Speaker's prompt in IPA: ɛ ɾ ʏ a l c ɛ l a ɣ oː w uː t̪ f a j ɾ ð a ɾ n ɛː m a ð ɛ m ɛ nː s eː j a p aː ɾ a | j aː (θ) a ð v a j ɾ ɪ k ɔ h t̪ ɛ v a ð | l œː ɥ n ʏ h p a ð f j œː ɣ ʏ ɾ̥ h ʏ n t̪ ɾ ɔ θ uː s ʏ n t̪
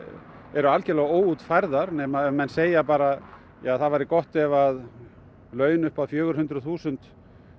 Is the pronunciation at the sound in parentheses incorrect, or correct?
correct